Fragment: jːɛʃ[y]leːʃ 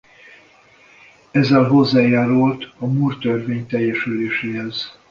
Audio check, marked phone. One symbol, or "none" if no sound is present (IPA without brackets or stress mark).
y